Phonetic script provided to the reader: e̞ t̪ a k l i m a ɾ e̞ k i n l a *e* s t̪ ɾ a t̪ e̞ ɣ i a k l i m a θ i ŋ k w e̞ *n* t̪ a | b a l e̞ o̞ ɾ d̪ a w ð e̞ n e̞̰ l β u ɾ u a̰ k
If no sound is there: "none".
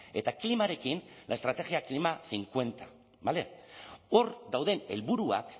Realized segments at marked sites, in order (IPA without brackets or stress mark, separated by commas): e, n